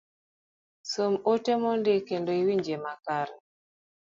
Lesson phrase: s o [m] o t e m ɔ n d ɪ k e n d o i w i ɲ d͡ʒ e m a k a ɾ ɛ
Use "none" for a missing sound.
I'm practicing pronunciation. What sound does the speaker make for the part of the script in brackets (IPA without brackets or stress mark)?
m